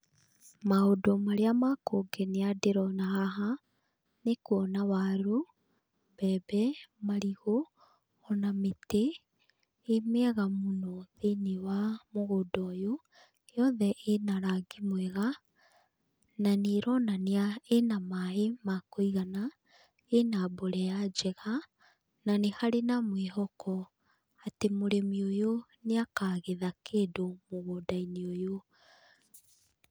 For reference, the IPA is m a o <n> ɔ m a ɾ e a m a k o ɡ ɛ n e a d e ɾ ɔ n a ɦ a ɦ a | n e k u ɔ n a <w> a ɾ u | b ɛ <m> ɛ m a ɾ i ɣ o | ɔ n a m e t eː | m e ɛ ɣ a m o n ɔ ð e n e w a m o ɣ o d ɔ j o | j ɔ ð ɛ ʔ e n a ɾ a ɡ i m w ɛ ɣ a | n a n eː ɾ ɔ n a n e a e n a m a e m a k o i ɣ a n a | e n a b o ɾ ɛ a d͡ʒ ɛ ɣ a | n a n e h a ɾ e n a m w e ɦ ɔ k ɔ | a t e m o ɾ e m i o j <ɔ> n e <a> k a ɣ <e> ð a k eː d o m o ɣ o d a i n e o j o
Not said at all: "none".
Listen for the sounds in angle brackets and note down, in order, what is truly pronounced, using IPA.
d, w, b, o, a, e

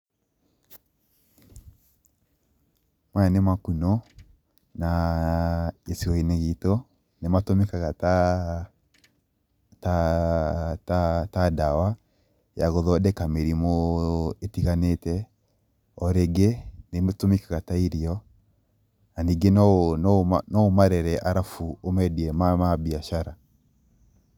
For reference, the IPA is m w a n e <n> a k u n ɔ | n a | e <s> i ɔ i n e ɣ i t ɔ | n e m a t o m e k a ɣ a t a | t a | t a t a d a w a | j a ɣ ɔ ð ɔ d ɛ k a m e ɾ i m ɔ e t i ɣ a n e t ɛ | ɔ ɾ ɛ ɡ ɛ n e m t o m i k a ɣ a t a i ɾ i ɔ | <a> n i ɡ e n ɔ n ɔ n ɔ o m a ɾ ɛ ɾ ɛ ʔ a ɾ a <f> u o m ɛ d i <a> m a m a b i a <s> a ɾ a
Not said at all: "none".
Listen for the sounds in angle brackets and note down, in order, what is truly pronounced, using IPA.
m, s, a, f, ɛ, ʃ

